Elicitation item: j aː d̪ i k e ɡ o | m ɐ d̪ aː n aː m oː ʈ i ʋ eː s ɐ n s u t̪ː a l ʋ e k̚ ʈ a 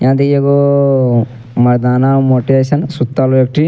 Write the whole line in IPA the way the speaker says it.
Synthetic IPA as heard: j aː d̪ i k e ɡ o | m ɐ d̪ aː n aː m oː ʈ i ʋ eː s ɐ n s u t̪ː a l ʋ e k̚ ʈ i